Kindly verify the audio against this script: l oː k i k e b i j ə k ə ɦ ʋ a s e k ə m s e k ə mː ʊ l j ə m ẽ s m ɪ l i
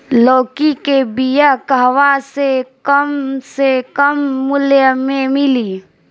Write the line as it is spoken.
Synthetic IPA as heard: l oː k i k e b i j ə k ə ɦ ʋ a s e k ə m s e k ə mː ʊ l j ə m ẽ m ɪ l i